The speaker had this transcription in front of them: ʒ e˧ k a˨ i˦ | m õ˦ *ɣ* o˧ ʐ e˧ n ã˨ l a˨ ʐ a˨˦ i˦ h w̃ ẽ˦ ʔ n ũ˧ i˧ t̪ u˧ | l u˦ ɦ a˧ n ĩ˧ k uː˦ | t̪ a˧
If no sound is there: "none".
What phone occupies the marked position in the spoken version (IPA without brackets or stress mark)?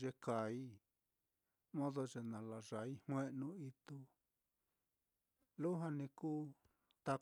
ð